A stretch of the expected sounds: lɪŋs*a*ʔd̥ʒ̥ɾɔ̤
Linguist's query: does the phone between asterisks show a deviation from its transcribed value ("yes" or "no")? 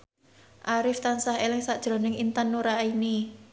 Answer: no